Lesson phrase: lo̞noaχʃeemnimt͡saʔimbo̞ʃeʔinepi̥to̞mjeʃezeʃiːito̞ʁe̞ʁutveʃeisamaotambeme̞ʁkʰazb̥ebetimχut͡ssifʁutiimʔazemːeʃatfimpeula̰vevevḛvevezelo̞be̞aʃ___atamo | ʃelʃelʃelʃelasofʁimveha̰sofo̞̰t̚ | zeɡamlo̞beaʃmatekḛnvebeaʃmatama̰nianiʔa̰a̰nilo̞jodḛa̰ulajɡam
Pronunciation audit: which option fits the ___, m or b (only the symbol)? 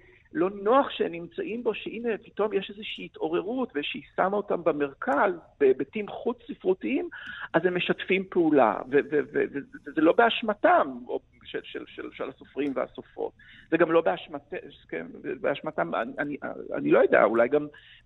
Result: m